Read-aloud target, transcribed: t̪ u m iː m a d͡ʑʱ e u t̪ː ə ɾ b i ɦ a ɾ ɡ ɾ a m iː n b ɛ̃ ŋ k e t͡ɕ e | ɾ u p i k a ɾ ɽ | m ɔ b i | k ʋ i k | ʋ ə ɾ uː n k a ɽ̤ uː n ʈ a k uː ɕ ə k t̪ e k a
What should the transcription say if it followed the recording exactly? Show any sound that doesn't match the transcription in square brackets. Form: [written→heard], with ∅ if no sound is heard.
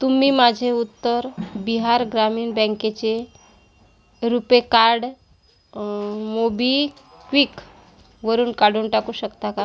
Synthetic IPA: t̪ u m iː m a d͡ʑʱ e u t̪ː ə ɾ b i ɦ a ɾ ɡ ɾ a m iː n b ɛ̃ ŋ k e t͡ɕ e | ɾ u p [i→e] k a ɾ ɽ | m [ɔ→o] b i | k ʋ i k | ʋ ə ɾ uː n k a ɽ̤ uː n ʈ a k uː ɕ ə k t̪ [e→a] k a